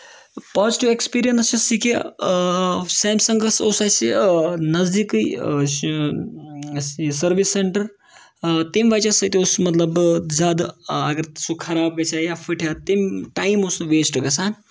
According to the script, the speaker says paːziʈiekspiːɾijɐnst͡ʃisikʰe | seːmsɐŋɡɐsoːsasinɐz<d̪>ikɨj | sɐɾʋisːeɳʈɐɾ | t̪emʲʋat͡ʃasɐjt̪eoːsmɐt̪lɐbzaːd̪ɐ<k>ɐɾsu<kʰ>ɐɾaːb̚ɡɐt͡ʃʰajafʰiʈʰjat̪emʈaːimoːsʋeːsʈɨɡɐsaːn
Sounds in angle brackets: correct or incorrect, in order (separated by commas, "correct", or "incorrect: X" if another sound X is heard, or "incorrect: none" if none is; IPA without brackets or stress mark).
correct, incorrect: ɡ, correct